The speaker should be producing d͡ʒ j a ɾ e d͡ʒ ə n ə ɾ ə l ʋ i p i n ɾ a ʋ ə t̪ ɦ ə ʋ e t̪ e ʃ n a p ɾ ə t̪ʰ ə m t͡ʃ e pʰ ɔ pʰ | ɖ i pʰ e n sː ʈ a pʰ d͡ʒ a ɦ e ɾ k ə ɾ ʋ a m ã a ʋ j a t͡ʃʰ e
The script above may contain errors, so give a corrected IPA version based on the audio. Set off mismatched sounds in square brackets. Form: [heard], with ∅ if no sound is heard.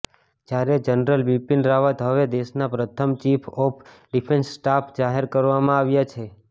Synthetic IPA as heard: d͡ʒ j a ɾ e d͡ʒ ə n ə ɾ ə l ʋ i p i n ɾ a ʋ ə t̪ ɦ ə ʋ e [d̪] e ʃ n a p ɾ ə t̪ʰ ə m t͡ʃ [i] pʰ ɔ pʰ | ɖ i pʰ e n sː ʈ a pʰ d͡ʒ a ɦ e ɾ k ə ɾ ʋ a m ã a ʋ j a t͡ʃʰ e

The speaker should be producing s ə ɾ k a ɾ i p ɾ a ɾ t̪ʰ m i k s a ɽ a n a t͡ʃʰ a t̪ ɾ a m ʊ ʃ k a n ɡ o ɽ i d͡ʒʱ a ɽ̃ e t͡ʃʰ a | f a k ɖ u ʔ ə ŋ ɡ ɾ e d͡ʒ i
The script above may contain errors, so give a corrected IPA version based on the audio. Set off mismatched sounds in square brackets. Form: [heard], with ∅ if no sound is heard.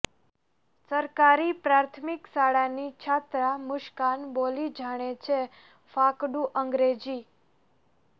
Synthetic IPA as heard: s ə ɾ k a ɾ i p ɾ a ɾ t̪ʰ m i k s a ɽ a n [i] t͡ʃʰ a t̪ ɾ a m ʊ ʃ k a n [b] o [l] i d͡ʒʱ a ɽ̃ e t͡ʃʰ [e] | f a k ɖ u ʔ ə ŋ ɡ ɾ e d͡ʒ i

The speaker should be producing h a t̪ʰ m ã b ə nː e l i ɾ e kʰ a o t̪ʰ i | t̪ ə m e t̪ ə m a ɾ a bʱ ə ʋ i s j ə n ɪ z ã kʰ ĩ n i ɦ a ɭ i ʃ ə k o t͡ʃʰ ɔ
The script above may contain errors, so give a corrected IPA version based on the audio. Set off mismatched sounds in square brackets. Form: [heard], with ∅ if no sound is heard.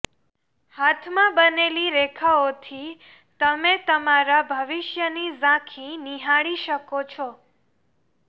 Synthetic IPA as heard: h a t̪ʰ m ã b ə [n] e l i ɾ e kʰ a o t̪ʰ i | t̪ ə m e t̪ ə m a ɾ a bʱ ə ʋ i [ʃ] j ə n [i] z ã kʰ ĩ n i ɦ a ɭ i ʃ ə k o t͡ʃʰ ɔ

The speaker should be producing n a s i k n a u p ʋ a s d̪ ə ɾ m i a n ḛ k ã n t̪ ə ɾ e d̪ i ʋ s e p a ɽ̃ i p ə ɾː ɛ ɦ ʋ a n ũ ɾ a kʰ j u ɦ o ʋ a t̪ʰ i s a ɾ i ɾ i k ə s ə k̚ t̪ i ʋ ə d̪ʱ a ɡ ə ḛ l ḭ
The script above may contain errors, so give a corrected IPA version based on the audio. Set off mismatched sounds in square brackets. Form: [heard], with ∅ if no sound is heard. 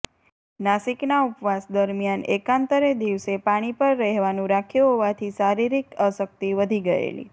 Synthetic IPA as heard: n a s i k n a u p ʋ a s d̪ ə ɾ m [j] a n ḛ k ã n t̪ ə ɾ e d̪ i ʋ s e p a ɽ̃ i p ə ɾː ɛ ɦ ʋ a n ũ ɾ a kʰ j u ɦ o ʋ a t̪ʰ i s a ɾ i ɾ i k ə s ə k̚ t̪ i ʋ ə d̪ʱ [i] ɡ ə ḛ l ḭ

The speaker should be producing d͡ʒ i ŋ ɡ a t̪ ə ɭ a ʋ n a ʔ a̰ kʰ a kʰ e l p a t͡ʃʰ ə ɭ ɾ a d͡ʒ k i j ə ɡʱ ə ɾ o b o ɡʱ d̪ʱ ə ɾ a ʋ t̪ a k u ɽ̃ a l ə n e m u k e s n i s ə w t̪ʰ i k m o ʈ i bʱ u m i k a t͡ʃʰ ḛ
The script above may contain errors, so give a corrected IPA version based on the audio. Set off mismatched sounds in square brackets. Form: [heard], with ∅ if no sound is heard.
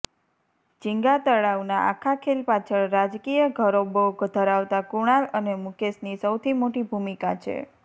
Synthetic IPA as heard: d͡ʒ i ŋ ɡ a t̪ ə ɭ a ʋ n a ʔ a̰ kʰ a kʰ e l p a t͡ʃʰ ə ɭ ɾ a d͡ʒ k i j ə ɡʱ ə ɾ o b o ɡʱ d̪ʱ ə ɾ a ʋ t̪ a k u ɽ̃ a l ə n e m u k e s n i s ə w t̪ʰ i [∅] m o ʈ i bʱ u m i k a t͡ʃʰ ḛ

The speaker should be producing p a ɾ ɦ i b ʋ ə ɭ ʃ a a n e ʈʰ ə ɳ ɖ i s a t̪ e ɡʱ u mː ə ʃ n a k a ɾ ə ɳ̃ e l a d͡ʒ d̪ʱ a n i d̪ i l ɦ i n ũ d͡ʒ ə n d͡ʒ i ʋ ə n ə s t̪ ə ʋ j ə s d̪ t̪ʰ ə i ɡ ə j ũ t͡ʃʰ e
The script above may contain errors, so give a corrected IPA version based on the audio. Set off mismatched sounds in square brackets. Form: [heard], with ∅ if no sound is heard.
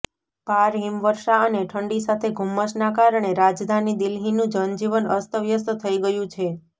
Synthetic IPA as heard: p a ɾ ɦ i [m] ʋ ə [ɾ] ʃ a [ə] n e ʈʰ ə ɳ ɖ i s a [t̪ʰ] e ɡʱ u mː ə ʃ n a k a ɾ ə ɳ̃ e [ɾ] a d͡ʒ d̪ʱ a n i d̪ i l ɦ i n ũ d͡ʒ ə n d͡ʒ i ʋ ə n ə s t̪ ə ʋ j ə s [t̪] t̪ʰ ə i ɡ ə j ũ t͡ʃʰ e

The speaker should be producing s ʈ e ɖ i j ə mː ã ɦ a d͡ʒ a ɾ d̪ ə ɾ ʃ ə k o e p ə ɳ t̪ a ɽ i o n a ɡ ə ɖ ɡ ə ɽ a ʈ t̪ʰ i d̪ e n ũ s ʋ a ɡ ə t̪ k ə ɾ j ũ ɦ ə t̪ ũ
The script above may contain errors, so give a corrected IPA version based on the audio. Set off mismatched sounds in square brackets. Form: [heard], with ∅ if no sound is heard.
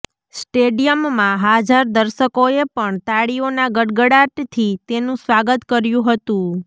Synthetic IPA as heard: s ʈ e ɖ i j ə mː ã ɦ a d͡ʒ a ɾ d̪ ə ɾ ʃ ə k o e p ə ɳ t̪ a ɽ i o n a ɡ ə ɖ ɡ ə ɽ a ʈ t̪ʰ i [t̪] e n ũ s ʋ a ɡ ə t̪ k ə ɾ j ũ ɦ ə t̪ ũ

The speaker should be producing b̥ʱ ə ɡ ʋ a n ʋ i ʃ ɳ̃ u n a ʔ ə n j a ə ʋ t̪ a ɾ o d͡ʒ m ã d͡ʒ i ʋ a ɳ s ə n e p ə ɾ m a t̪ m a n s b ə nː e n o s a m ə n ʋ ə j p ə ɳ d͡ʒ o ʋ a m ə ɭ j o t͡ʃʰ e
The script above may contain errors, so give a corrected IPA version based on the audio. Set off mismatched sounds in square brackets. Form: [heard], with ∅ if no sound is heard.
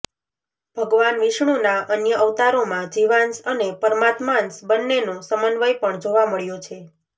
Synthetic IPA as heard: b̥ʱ ə ɡ ʋ a n ʋ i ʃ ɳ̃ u n a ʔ ə n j [ə] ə ʋ t̪ a ɾ o [∅] m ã d͡ʒ i ʋ a [n] s ə n e p ə ɾ m a t̪ m a n s b ə nː e n o s [ə] m ə n ʋ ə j p ə ɳ d͡ʒ o ʋ a m ə ɭ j o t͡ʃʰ e

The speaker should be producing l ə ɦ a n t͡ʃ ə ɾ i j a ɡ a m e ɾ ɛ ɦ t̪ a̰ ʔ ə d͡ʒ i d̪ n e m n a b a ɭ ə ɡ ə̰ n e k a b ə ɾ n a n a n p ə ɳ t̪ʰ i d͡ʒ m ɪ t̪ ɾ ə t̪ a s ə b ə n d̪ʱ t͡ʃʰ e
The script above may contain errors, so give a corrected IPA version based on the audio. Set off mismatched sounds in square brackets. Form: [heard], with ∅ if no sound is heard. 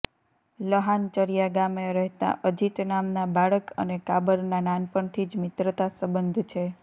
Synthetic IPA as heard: l ə ɦ a n t͡ʃ ə ɾ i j a ɡ a m e ɾ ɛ ɦ t̪ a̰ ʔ ə d͡ʒ i [t̪] n [a] m n a b a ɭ ə [k] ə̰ n e k a b ə ɾ n a n a n p ə ɳ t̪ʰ i d͡ʒ m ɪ t̪ ɾ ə t̪ a s ə b ə n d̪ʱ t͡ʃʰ e

